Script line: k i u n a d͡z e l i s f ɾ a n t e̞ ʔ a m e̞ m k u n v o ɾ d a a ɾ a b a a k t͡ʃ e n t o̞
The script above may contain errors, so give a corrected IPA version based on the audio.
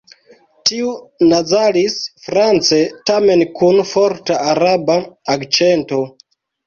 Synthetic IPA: t i u n a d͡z a l i s f ɾ a n t͡s e̞ t a m e̞ n k u n f o ɾ t a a ɾ a b a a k t͡ʃ e n t o̞